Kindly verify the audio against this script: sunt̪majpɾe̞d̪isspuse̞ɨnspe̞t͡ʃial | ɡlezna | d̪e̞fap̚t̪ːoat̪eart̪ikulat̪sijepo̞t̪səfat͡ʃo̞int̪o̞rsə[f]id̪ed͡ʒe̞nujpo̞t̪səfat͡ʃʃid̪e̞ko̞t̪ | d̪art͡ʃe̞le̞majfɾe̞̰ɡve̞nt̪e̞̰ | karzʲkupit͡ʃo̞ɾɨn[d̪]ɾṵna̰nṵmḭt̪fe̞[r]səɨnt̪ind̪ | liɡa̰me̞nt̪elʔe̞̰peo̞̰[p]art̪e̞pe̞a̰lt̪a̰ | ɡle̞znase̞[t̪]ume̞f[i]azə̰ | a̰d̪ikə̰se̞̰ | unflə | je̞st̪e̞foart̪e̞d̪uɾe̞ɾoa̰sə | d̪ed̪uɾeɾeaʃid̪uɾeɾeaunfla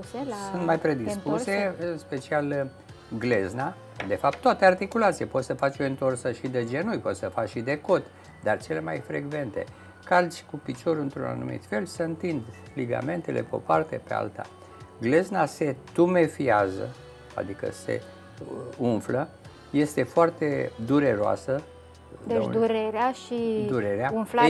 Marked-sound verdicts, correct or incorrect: incorrect, incorrect, incorrect, correct, correct, correct

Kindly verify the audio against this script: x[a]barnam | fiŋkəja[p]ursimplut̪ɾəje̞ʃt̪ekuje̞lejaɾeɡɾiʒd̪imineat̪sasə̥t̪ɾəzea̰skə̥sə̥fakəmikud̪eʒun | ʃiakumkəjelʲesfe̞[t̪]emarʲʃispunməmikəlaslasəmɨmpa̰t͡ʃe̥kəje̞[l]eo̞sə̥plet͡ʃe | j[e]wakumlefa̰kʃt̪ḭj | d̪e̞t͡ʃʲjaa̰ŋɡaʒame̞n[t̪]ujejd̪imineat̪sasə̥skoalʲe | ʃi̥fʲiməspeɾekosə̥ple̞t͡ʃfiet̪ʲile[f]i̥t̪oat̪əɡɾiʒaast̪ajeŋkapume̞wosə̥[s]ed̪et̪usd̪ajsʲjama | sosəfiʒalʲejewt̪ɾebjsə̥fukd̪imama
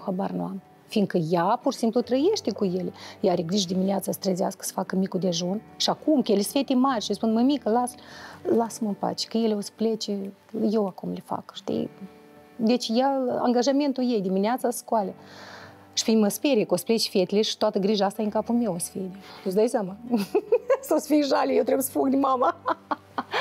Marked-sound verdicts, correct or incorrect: correct, correct, correct, correct, correct, correct, incorrect, incorrect

